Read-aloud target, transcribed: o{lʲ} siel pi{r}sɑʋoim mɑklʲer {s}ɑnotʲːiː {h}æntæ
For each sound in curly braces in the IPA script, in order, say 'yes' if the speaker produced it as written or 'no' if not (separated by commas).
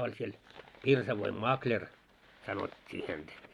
yes, yes, yes, yes